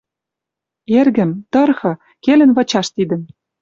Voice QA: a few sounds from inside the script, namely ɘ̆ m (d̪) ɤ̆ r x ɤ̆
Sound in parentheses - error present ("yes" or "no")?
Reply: yes